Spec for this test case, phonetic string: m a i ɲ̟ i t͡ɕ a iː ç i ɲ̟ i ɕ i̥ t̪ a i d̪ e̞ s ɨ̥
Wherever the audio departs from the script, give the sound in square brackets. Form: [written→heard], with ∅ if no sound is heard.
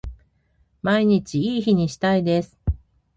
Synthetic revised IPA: m a i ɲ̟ i t͡ɕ [a→i] iː ç i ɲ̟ i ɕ i̥ t̪ a i d̪ e̞ s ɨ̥